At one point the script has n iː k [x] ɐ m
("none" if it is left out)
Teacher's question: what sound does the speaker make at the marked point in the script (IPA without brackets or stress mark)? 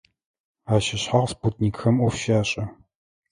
x